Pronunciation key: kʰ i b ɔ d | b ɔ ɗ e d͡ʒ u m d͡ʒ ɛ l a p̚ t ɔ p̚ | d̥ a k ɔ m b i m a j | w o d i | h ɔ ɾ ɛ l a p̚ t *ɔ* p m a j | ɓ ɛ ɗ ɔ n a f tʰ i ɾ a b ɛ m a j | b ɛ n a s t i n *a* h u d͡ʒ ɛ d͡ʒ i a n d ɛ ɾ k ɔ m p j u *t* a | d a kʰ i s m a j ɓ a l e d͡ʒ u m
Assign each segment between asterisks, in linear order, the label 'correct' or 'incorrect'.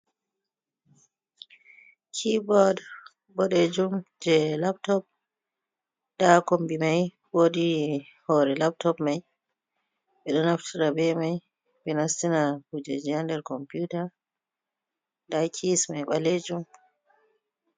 correct, correct, correct

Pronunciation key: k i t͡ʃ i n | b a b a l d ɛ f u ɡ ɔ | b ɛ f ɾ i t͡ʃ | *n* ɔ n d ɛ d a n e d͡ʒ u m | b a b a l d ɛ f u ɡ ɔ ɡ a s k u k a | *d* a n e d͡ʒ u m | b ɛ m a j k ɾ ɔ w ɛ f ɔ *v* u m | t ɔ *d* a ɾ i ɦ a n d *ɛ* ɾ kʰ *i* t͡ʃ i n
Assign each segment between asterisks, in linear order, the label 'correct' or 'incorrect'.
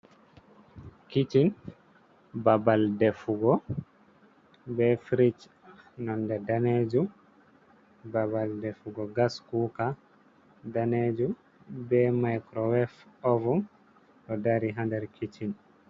correct, correct, correct, correct, correct, correct

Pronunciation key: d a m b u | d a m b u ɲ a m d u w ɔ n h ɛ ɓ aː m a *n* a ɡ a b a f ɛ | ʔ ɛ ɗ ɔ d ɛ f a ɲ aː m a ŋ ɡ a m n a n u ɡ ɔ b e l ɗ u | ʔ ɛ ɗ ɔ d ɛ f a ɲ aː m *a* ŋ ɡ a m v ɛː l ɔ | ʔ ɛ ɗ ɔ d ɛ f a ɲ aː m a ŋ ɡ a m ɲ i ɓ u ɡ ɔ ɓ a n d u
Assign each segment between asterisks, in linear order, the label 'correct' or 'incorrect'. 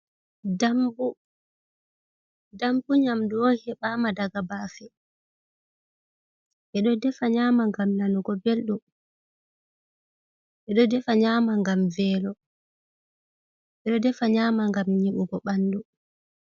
incorrect, correct

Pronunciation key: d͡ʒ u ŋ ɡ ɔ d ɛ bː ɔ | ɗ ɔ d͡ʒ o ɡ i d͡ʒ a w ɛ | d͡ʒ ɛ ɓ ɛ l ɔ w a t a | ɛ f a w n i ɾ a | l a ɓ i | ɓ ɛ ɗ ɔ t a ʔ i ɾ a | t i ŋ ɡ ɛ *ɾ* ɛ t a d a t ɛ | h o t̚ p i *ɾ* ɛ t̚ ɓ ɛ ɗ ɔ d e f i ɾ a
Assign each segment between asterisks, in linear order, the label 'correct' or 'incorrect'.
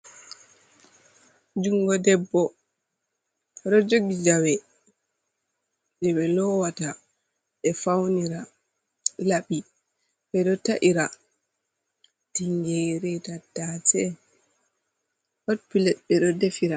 correct, incorrect

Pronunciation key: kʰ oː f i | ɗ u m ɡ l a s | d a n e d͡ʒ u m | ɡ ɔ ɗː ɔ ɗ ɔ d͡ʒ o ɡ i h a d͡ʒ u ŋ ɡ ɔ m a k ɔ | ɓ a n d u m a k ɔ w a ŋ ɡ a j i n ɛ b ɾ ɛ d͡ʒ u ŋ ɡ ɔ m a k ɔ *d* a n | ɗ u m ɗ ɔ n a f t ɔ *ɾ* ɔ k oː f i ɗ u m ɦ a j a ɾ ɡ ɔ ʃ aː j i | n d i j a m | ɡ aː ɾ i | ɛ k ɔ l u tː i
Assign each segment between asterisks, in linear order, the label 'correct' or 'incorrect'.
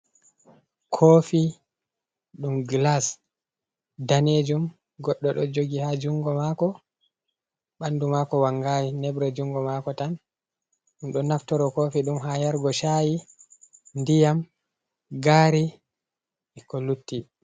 incorrect, correct

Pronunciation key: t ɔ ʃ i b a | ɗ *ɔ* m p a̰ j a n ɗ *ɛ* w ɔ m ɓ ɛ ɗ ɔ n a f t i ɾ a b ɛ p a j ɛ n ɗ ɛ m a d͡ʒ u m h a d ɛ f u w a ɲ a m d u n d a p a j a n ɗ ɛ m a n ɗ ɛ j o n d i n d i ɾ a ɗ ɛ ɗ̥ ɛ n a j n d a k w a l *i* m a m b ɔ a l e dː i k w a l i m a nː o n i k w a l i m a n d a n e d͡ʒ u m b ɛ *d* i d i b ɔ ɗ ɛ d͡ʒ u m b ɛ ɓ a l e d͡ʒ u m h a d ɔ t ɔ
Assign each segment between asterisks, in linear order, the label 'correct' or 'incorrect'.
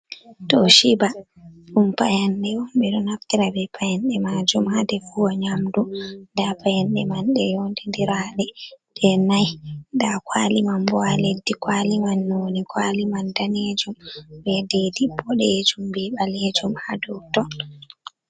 incorrect, correct, correct, correct

